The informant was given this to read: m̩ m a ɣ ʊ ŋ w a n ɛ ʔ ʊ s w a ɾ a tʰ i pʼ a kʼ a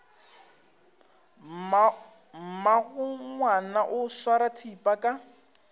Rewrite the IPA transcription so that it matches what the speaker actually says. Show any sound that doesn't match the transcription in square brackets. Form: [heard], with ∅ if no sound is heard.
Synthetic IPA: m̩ m a ɣ ʊ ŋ w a n [a] ʔ ʊ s w a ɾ a tʰ i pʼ a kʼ a